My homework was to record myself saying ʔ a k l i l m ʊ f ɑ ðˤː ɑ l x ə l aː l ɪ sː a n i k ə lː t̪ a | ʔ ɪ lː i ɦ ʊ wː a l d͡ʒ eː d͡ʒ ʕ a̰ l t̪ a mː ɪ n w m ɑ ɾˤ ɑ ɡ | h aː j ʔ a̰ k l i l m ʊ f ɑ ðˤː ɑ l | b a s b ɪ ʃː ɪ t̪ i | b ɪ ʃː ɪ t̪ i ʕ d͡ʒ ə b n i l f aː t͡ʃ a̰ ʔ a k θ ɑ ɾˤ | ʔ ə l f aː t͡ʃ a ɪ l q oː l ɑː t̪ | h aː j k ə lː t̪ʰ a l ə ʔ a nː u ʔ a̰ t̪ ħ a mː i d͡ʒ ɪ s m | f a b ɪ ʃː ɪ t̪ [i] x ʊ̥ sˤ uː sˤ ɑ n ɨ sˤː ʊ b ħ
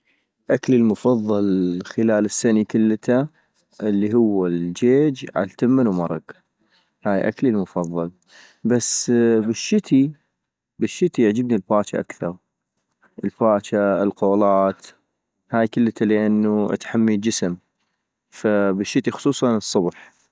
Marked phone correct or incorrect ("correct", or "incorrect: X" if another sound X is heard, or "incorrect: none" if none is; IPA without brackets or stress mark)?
correct